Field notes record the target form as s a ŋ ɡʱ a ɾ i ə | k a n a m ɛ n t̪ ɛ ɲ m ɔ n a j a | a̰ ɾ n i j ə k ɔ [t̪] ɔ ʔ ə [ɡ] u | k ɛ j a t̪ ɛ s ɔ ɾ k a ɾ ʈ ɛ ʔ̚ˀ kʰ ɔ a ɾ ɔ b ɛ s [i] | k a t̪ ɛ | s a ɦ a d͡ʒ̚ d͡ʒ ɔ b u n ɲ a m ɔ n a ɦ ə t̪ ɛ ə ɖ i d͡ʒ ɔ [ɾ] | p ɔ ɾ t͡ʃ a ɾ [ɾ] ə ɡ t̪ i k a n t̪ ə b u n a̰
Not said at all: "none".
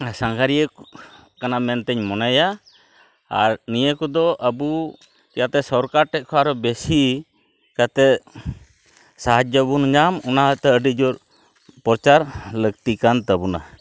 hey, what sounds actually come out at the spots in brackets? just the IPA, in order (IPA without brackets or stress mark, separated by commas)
d̪, b, i, ɾ, l